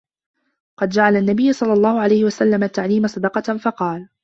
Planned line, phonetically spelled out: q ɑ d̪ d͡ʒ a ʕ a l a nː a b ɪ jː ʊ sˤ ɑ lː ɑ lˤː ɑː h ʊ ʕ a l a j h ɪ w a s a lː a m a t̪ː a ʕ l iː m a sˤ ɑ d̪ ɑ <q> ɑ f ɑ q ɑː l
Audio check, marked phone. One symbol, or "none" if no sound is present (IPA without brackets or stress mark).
q